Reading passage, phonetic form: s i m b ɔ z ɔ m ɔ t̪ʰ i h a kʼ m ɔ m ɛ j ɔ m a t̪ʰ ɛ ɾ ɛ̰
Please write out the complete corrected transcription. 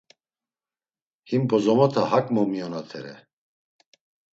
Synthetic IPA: h i m b ɔ z ɔ m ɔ t̪ʰ a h a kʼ m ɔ m i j ɔ n a t̪ʰ ɛ ɾ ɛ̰